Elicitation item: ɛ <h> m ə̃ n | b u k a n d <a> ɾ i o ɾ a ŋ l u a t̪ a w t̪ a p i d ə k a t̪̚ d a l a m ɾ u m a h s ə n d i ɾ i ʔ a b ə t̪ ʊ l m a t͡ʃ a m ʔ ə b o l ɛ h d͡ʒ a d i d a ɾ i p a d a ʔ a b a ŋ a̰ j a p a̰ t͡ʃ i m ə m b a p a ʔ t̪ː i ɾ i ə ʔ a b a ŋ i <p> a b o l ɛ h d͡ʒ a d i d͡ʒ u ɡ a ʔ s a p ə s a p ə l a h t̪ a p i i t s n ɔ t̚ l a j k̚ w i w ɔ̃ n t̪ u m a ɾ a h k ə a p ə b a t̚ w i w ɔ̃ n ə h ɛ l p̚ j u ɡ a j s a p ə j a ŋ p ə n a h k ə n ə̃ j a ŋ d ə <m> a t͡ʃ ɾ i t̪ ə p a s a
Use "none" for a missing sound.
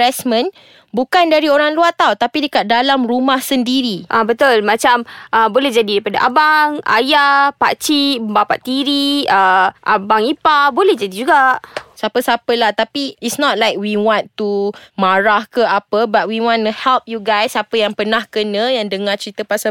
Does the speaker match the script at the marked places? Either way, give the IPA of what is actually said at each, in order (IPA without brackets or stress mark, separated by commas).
s, a, p, ŋ